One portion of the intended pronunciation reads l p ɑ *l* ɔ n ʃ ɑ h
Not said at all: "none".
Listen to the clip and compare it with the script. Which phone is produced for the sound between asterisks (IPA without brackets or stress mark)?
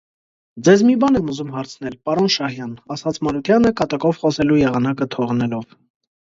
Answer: ɾ